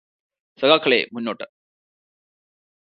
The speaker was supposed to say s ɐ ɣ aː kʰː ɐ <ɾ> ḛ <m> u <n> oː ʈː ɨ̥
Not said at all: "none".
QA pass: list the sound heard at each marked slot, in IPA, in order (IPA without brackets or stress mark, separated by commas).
ɭ, m, nː